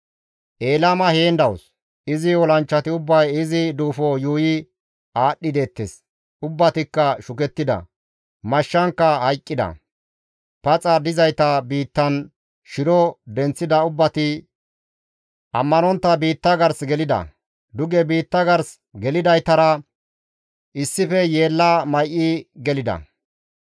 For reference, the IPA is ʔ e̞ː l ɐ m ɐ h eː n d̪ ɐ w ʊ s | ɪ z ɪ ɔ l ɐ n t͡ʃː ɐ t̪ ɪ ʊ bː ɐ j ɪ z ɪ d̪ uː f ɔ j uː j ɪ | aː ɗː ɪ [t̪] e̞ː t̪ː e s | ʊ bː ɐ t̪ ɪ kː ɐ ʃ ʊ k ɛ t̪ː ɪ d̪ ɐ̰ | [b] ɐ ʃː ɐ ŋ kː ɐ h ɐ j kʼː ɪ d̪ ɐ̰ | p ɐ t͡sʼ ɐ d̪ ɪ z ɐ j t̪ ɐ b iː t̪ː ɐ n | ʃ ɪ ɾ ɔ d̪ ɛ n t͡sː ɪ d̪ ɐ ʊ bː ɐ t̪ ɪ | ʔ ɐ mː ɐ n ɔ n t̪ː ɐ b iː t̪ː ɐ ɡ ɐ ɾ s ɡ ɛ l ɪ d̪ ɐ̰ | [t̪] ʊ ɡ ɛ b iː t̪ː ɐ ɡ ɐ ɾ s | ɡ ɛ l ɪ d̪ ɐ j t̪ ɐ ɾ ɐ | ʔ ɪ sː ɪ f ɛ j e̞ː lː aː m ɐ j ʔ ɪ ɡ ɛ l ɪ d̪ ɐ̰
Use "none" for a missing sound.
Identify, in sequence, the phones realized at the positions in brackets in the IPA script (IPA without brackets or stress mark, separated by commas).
d̪, m, d̪